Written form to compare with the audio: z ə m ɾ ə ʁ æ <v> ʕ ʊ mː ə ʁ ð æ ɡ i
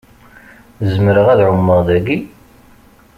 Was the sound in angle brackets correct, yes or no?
no